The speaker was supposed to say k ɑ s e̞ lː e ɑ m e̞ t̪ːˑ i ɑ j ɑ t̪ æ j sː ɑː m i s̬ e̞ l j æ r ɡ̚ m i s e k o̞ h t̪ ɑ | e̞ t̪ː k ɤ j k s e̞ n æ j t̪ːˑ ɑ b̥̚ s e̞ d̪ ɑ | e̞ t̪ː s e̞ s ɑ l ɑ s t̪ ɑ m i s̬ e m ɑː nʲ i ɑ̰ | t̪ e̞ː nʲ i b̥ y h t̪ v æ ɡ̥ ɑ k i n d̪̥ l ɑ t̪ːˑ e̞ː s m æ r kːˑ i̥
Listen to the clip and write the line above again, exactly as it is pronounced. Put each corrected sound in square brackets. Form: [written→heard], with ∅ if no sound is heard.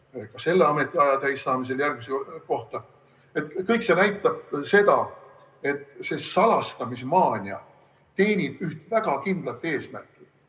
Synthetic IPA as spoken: k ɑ s e̞ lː e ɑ m e̞ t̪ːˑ i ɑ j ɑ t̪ æ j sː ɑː m i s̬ e̞ l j æ r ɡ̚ m i s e k o̞ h t̪ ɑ | e̞ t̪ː k ɤ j k s e̞ n æ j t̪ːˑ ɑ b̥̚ s e̞ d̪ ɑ | e̞ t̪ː s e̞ s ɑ l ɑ s t̪ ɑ m i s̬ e m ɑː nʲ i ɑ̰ | t̪ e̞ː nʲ i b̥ y h t̪ v æ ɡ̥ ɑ k i n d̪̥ l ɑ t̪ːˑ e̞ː s m æ r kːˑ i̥